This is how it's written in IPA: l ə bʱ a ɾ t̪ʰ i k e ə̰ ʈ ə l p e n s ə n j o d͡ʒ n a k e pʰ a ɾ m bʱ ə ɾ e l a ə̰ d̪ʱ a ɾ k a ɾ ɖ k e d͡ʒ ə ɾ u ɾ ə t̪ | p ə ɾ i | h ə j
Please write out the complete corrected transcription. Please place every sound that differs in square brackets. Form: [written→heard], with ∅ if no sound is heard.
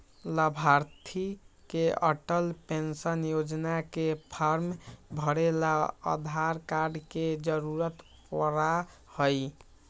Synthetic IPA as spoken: l ə bʱ a ɾ t̪ʰ i k e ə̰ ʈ ə l p e n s ə n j o d͡ʒ n a k e pʰ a ɾ m bʱ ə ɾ e l a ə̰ d̪ʱ a ɾ k a ɾ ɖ k e d͡ʒ ə ɾ u ɾ ə t̪ | p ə ɾ [i→a] | h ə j